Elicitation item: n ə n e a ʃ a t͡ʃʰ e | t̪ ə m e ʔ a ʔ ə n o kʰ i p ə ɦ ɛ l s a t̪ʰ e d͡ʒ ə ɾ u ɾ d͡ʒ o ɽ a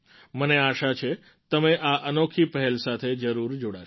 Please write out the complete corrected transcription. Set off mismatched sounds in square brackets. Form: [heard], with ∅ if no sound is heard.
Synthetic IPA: [m] ə n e a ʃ a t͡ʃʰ e | t̪ ə m e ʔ a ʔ ə n o kʰ i p ə ɦ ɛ l s a t̪ʰ e d͡ʒ ə ɾ u ɾ d͡ʒ o ɽ a